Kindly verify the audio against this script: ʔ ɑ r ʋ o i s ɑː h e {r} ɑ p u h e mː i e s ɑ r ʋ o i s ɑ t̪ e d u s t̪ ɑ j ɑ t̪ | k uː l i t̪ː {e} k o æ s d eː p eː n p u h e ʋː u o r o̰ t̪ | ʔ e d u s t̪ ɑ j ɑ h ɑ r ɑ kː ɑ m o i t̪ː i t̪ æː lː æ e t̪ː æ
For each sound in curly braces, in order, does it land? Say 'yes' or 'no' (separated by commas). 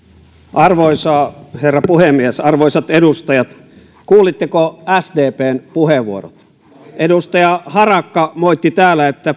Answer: no, yes